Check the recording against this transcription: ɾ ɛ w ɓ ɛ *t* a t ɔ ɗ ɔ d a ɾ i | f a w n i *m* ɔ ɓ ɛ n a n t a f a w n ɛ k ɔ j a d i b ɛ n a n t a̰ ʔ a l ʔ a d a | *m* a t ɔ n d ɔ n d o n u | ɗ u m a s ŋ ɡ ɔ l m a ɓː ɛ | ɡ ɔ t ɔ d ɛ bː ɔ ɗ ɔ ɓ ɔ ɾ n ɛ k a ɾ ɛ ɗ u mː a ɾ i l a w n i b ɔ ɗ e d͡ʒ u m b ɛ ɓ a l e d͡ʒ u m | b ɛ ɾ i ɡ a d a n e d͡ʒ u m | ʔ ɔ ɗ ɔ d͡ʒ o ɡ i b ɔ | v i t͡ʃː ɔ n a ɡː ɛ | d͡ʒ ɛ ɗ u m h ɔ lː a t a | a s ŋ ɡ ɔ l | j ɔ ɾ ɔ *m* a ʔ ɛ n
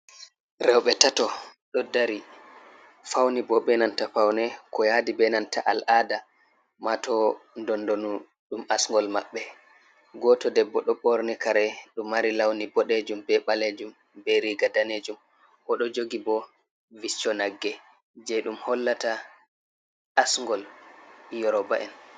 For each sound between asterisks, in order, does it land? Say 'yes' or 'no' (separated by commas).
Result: yes, no, yes, no